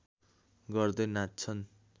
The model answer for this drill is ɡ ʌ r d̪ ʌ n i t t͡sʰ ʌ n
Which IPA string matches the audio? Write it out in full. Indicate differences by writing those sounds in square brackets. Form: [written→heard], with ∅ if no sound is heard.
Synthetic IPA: ɡ ʌ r d̪ ʌ n [i→a] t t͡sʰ ʌ n